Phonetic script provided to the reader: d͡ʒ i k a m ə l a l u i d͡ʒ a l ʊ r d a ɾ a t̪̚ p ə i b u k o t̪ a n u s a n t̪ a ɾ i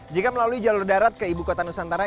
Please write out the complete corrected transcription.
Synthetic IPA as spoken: d͡ʒ i k a m ə l a l u i d͡ʒ a l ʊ r d a ɾ a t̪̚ k ə i b u k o t̪ a n u s a n t̪ a ɾ a